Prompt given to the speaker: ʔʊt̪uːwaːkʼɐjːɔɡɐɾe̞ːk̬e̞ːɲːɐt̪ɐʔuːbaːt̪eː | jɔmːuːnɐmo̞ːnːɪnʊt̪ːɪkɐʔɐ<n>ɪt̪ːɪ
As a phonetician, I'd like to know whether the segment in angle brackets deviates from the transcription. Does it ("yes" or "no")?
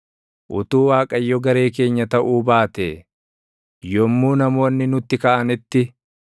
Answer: no